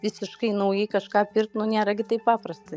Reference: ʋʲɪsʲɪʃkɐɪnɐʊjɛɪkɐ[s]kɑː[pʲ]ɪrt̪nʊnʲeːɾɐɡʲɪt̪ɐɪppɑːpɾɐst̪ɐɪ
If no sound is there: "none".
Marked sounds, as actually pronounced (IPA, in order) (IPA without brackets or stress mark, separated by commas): ʃ, pʲ